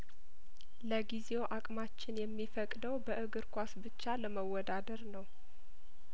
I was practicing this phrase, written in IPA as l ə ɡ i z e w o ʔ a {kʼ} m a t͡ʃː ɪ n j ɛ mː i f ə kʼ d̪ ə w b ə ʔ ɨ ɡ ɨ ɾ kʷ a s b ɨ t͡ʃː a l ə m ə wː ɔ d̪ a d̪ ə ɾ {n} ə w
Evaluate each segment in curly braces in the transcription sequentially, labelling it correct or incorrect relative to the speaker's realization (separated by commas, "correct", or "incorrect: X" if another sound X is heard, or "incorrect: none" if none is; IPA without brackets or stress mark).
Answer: correct, correct